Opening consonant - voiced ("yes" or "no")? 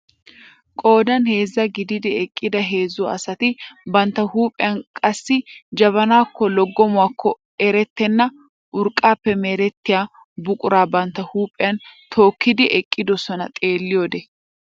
no